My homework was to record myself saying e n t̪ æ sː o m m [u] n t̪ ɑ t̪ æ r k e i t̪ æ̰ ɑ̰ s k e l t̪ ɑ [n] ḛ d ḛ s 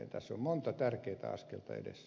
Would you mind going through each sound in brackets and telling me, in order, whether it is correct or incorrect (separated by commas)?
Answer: incorrect, incorrect